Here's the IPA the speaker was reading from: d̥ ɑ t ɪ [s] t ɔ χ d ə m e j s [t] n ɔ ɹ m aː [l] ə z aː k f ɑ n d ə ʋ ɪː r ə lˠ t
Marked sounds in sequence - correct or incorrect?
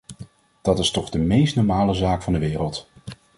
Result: correct, correct, correct

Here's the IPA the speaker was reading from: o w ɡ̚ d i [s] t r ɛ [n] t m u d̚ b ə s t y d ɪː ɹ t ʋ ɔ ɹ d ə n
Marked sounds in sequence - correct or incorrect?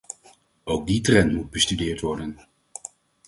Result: incorrect: none, correct

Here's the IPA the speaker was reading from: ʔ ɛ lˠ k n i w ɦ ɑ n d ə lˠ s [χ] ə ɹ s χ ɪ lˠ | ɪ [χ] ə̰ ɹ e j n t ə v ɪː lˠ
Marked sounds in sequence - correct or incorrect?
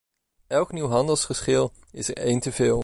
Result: correct, incorrect: s

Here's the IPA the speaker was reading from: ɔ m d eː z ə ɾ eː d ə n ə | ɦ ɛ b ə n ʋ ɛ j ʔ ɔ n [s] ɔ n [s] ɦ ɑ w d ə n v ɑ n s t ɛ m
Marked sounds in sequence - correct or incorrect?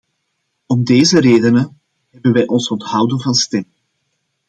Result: correct, incorrect: t

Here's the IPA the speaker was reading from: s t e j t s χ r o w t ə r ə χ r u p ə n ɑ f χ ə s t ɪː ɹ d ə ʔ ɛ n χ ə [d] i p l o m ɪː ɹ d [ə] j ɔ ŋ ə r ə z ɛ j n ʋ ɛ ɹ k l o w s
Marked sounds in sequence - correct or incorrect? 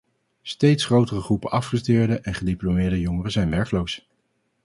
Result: correct, correct

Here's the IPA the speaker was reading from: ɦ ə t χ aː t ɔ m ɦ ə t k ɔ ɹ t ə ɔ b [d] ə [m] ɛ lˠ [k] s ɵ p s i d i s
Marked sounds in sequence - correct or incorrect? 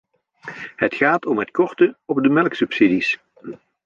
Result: correct, correct, correct

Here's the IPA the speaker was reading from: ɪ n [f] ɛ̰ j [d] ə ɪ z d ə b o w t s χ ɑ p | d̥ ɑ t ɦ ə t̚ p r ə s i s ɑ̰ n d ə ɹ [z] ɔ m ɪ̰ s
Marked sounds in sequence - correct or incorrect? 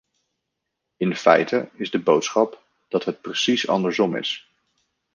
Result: correct, incorrect: t, correct

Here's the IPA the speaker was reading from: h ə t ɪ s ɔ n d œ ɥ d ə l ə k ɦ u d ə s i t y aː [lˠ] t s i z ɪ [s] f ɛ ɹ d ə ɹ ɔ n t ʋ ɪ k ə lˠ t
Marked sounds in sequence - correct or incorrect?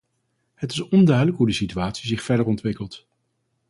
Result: incorrect: none, incorrect: χ

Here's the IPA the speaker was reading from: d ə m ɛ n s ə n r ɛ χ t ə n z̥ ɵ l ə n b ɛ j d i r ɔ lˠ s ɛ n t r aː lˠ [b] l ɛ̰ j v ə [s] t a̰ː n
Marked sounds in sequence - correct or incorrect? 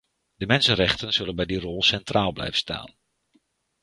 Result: correct, correct

